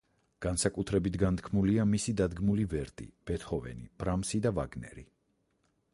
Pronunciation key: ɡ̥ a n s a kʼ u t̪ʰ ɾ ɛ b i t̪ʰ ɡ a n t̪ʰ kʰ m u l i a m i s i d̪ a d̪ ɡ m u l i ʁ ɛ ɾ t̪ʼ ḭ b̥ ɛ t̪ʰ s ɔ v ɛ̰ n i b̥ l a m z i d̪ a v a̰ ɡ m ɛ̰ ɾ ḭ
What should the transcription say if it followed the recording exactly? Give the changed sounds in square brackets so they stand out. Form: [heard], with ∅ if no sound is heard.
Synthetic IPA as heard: ɡ̥ a n s a kʼ u t̪ʰ ɾ ɛ b i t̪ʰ ɡ a n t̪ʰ kʰ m u l i a m i s i d̪ a d̪ ɡ m u l i [v] ɛ ɾ t̪ʼ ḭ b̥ ɛ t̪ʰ [χ] ɔ v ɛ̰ n i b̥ [ɾ] a m [s] i d̪ a v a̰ ɡ [n] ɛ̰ ɾ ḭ